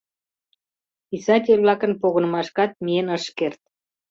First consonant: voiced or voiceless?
voiceless